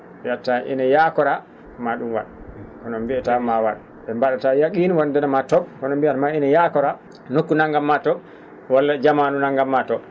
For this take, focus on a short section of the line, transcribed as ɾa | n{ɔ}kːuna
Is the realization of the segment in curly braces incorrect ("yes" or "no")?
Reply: yes